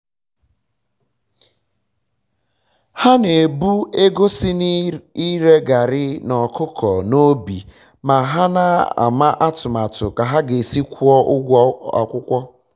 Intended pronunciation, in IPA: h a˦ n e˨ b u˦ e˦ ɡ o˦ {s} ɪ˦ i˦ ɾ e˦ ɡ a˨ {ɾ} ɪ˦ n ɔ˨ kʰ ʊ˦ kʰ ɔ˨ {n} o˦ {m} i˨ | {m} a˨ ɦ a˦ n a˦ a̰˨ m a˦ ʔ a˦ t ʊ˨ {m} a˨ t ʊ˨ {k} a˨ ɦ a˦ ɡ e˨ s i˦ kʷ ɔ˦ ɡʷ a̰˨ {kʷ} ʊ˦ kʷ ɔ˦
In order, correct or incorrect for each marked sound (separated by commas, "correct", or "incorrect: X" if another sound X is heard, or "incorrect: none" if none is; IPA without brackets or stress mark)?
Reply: correct, correct, correct, incorrect: b, correct, correct, correct, correct